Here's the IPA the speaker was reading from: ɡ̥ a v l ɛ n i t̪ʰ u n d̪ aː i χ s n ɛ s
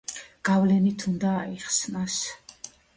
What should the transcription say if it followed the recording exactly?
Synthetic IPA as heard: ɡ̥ a v l ɛ n i t̪ʰ u n d̪ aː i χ s n a s